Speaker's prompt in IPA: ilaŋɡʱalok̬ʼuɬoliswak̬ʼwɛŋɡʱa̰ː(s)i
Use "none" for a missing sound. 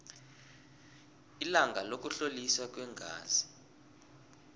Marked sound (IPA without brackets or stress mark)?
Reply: z